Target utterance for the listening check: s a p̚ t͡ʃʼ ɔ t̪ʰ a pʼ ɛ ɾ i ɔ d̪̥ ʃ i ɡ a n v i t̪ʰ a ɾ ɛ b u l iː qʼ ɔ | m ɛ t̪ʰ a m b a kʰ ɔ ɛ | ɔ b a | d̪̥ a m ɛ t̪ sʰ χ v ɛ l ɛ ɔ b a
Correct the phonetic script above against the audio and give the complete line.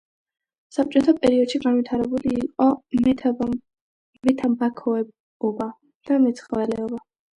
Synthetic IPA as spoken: s a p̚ t͡ʃʼ ɔ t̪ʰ a pʼ ɛ ɾ i ɔ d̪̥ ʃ i ɡ a n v i t̪ʰ a ɾ ɛ b u l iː qʼ ɔ | m ɛ t̪ʰ a m b a kʰ ɔ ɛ | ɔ b a | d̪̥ a m ɛ t̪ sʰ χ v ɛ l ɛ ɔ b a